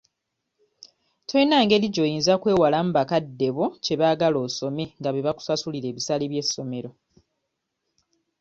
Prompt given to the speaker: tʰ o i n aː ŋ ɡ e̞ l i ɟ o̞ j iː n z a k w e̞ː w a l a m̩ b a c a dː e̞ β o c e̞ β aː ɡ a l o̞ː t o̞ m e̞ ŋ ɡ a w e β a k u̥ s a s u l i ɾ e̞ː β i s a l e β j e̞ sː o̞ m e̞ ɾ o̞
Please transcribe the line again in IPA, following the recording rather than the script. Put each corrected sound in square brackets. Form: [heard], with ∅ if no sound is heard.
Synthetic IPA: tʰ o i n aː ŋ ɡ e̞ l i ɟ o̞ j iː n z a k w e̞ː w a l a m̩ b a [k] a dː e̞ β o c e̞ β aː ɡ a l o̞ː [s] o̞ m e̞ ŋ ɡ a [β] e β a k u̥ s a s u l i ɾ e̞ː β i s a l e β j e̞ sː o̞ m e̞ ɾ o̞